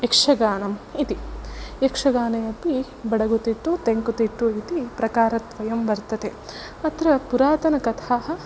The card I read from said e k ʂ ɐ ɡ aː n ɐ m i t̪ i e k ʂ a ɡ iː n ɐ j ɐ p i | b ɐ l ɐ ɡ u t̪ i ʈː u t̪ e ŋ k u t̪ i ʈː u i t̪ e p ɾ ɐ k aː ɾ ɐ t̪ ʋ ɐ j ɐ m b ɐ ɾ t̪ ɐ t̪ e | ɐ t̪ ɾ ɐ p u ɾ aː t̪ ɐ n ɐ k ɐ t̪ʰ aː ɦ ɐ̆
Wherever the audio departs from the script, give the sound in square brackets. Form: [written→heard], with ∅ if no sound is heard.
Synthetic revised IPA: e k ʂ ɐ ɡ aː n ɐ m i t̪ i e k ʂ [a→ɐ] ɡ [iː→aː] n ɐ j ɐ p i | b ɐ [l→ɽ] ɐ ɡ u t̪ i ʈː u t̪ e ŋ k u t̪ i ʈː u i t̪ [e→i] p ɾ ɐ k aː ɾ ɐ t̪ ʋ ɐ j ɐ m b ɐ ɾ t̪ ɐ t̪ e | ɐ t̪ ɾ ɐ p u ɾ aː t̪ ɐ n ɐ k ɐ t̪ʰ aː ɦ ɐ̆